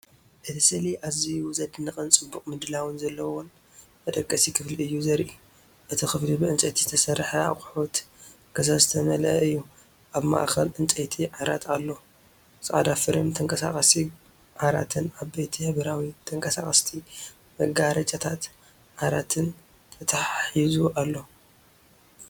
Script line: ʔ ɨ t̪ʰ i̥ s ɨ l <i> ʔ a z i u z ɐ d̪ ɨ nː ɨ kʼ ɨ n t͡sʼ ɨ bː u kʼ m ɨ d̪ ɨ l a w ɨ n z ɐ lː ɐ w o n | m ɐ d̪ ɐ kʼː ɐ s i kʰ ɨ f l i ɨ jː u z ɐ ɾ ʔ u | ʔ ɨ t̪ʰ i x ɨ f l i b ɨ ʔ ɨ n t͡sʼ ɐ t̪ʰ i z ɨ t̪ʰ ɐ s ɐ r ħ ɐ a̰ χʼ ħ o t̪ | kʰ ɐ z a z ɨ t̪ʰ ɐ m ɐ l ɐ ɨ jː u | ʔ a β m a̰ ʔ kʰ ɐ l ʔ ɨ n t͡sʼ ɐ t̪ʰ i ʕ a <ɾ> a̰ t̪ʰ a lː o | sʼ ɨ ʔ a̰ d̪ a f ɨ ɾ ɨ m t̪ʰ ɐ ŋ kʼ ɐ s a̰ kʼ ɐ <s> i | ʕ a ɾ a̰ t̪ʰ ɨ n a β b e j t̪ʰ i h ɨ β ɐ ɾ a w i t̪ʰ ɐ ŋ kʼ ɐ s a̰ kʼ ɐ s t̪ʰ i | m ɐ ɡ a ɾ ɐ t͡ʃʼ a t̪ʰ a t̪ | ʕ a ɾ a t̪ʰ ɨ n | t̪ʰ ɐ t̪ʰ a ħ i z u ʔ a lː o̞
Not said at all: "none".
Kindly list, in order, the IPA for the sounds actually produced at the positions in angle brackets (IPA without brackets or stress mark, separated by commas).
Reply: i, ɾ, s